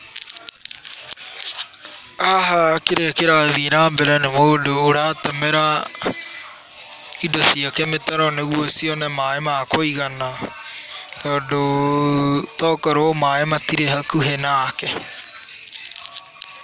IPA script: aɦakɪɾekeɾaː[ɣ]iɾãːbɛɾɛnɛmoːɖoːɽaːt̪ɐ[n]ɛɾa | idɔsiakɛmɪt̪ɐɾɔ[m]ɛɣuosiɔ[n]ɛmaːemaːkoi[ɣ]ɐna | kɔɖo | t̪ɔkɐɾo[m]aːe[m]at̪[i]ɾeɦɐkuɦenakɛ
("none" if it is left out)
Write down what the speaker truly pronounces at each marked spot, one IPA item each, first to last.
ð, m, n, n, ɣ, m, m, i

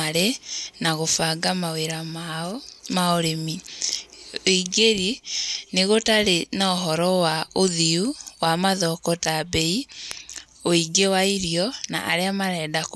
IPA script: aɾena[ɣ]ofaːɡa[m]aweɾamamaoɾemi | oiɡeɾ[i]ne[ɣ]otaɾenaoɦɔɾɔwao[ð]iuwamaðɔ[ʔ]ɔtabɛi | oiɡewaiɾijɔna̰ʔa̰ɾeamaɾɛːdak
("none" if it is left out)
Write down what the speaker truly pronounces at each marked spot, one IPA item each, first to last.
ɣ, m, i, ɣ, ð, k

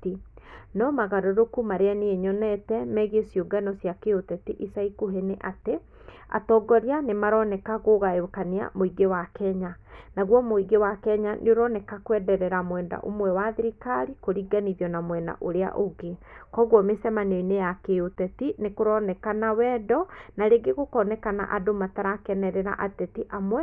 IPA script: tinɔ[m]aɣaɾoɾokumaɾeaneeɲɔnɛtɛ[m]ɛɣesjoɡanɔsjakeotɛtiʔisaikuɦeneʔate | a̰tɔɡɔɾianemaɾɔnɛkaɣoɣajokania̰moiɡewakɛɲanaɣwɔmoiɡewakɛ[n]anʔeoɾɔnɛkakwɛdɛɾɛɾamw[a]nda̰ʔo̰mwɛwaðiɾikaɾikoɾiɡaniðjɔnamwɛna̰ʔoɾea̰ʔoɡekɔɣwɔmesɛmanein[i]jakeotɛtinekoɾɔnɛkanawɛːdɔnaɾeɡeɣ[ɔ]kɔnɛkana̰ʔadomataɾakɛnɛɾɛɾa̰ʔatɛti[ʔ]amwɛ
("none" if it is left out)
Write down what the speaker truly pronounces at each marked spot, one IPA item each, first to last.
m, m, ɲ, ɛ, e, o, ʔ

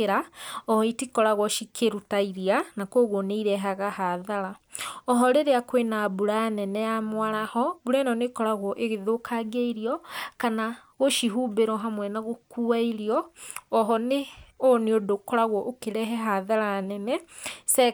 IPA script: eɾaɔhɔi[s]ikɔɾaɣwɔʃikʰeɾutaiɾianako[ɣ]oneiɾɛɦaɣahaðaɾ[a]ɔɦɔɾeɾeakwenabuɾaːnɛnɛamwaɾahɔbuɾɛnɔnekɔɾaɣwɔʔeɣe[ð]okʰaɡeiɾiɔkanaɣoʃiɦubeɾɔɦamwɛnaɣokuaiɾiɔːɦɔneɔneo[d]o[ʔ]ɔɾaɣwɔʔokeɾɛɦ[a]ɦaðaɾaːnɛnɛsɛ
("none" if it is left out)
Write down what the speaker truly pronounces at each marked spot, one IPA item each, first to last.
t, ɣ, a, ð, d, k, ɛ

